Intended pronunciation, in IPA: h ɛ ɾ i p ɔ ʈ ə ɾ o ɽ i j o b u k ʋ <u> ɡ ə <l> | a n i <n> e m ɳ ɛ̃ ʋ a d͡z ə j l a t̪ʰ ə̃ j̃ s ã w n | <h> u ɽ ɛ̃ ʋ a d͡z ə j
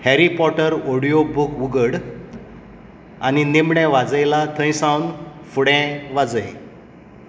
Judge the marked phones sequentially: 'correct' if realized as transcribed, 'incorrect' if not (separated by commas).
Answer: correct, incorrect, correct, incorrect